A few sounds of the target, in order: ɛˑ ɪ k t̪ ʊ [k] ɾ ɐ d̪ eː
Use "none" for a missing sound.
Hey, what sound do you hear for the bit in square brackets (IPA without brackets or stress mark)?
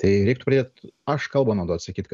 p